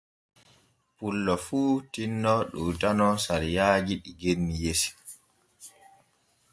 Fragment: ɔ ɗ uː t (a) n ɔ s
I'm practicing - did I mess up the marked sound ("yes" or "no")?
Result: no